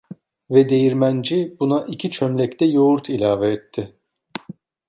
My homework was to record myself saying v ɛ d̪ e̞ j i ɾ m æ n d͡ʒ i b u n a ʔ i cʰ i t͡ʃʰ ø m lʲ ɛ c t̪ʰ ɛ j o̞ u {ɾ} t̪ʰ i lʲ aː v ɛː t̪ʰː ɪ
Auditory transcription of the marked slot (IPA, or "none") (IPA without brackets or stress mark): ɾ